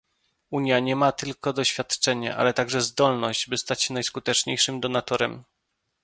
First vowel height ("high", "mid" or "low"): high